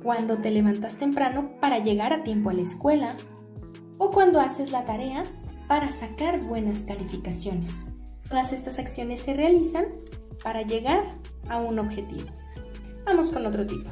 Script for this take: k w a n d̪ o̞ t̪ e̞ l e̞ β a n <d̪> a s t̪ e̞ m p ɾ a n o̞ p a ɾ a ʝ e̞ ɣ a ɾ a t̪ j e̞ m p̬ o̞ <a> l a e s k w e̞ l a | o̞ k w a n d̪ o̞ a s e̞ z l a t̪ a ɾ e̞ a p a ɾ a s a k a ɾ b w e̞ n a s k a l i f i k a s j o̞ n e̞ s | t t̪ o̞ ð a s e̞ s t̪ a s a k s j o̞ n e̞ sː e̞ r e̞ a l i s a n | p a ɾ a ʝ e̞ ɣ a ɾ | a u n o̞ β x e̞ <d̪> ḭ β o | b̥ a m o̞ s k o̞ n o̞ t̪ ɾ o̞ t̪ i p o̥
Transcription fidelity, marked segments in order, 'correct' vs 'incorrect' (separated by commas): incorrect, correct, incorrect